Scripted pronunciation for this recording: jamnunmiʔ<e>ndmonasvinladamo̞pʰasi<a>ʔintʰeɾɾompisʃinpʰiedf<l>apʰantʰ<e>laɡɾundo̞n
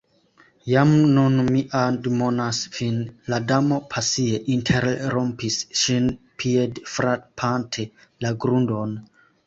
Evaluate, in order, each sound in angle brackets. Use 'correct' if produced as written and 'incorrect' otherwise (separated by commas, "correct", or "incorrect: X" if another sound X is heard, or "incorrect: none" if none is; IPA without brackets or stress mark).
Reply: incorrect: a, incorrect: e, incorrect: ɾ, correct